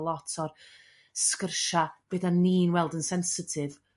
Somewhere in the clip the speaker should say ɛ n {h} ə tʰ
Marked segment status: incorrect: s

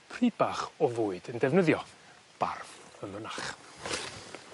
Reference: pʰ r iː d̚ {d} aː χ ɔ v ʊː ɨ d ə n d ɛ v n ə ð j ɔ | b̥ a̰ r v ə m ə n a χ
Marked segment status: incorrect: b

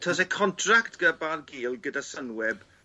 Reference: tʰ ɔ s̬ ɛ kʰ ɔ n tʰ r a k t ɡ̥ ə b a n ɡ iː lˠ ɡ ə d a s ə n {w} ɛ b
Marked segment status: correct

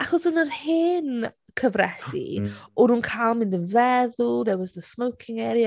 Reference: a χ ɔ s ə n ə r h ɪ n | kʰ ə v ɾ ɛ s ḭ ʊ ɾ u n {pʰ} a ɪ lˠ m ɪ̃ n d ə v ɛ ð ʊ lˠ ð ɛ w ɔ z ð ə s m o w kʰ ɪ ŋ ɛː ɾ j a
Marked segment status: incorrect: kʰ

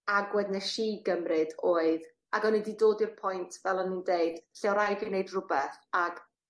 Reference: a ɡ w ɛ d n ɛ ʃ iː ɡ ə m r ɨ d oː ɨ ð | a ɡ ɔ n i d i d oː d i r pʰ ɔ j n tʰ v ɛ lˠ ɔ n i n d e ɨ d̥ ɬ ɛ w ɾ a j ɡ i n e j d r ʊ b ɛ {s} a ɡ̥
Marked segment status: incorrect: θ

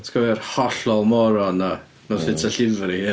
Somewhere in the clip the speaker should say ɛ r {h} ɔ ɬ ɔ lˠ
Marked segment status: correct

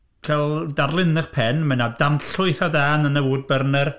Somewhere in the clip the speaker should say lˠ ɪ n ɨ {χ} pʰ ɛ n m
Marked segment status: correct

